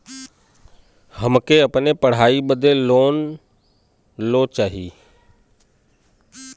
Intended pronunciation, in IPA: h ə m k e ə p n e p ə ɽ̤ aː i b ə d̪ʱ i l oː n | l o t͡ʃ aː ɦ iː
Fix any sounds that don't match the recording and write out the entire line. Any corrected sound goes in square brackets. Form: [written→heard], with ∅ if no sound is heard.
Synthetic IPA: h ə m k e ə p n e p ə ɽ̤ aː i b ə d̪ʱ [i→e] l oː n | l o t͡ʃ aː ɦ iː